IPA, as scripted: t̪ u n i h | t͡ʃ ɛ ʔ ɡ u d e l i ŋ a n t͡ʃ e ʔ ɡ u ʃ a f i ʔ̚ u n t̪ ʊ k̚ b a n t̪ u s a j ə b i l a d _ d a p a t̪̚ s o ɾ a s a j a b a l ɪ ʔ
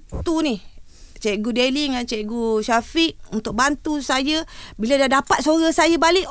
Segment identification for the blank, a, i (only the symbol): a